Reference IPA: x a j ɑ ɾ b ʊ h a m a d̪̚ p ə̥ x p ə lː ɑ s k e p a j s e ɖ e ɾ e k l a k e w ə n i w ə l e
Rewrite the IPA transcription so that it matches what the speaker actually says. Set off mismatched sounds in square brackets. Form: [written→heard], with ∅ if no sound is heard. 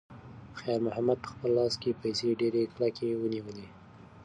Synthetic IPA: x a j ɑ ɾ [b→m] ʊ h a m a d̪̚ p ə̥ x p ə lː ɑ s k e p a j s e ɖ e ɾ e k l a k e w ə n i w ə l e